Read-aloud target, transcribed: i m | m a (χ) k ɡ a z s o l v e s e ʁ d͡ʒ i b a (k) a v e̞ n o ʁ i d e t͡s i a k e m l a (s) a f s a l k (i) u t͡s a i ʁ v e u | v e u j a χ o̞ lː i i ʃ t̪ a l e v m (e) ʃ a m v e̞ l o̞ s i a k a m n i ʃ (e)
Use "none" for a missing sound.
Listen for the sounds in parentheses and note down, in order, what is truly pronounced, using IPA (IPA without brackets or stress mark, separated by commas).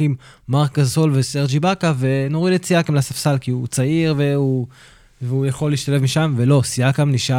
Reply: ʁ, k, s, i, i, a